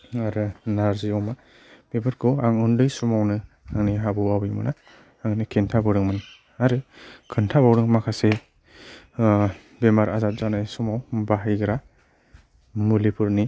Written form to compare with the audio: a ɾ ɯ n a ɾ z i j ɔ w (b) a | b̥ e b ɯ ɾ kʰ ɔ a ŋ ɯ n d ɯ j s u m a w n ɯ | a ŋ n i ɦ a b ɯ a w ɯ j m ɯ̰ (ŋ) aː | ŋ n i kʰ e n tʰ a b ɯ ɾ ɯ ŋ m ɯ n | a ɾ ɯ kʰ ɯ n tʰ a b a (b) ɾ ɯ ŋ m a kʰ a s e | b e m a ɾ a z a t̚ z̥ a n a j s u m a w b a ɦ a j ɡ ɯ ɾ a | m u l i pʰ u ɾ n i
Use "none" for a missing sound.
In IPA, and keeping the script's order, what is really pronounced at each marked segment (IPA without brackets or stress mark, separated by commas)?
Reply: m, n, w